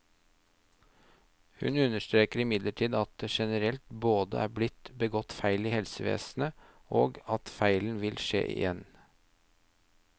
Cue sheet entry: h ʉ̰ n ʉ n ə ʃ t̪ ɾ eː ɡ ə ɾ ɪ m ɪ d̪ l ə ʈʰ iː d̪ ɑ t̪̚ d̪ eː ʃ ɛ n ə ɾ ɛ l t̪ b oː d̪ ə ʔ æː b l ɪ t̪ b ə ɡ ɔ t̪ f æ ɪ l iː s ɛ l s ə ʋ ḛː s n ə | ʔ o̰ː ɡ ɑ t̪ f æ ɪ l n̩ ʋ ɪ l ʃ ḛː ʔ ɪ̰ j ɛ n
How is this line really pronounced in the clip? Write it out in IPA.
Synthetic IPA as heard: h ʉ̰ n ʉ n ə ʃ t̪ ɾ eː k ə ɾ ɪ m ɪ d̪ l ə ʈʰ iː d̪ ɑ t̪̚ d̪ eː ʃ ɛ n ə ɾ ɛ l t̪ b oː d̪ ə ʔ æː b l ɪ t̪ b ə ɡ ɔ t̪ f æ ɪ l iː h ɛ l s ə ʋ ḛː s n ə | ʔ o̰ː ɡ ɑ t̪ f æ ɪ l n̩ ʋ ɪ l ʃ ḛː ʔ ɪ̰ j ɛ n